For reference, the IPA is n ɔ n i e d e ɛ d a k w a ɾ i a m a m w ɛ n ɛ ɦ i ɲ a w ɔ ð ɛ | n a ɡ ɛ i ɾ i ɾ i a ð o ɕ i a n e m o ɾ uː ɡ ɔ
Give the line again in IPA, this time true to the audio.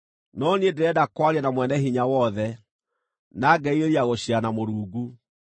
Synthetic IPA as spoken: n ɔ n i e d e ɛ d a k w a ɾ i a n a m w ɛ n ɛ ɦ i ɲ a w ɔ ð ɛ | n a ɡ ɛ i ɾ e ɾ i a ɣ o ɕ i a n a m o ɾ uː ɡ u